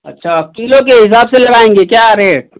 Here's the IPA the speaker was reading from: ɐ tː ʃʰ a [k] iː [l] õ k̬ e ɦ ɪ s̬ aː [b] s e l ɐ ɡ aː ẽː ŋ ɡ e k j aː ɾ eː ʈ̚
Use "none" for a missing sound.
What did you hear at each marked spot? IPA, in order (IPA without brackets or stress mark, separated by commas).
k, l, b